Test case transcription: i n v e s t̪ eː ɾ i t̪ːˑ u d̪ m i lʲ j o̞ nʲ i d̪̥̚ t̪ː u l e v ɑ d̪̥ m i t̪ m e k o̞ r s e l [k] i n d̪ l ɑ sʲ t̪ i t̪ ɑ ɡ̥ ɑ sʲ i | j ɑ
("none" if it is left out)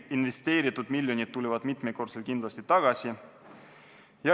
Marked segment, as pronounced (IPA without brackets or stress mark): k